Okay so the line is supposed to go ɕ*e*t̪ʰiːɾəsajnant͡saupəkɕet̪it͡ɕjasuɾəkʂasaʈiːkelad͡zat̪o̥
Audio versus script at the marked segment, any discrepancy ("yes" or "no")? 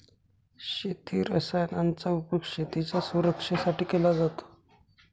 no